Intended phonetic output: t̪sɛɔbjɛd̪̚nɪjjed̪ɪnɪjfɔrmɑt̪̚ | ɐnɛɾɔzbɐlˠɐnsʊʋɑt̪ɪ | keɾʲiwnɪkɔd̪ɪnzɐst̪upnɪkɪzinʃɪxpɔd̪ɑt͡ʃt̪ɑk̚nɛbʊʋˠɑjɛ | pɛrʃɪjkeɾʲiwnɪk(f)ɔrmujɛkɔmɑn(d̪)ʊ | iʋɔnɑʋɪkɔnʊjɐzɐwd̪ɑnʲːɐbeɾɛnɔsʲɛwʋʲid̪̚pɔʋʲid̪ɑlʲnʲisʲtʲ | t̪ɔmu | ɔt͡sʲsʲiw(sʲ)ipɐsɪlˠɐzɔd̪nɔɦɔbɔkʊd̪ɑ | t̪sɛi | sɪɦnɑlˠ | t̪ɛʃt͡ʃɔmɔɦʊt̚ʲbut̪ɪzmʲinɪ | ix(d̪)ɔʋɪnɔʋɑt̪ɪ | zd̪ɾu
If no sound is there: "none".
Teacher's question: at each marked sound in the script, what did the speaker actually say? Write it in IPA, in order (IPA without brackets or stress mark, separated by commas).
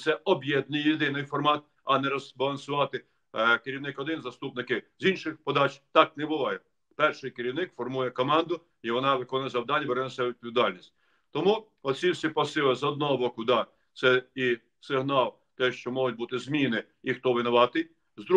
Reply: f, d̪, sʲ, t̪